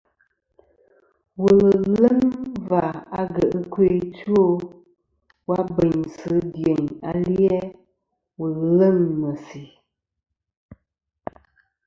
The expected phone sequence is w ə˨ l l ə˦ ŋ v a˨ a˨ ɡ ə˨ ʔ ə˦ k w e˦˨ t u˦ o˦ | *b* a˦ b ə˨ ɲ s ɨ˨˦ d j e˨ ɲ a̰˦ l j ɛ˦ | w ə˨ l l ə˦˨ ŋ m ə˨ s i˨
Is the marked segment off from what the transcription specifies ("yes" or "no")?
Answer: yes